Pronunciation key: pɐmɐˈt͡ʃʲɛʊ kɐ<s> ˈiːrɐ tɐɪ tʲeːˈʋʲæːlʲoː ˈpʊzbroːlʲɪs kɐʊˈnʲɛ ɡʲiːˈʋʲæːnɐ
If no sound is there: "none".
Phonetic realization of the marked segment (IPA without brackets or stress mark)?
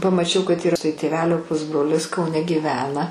t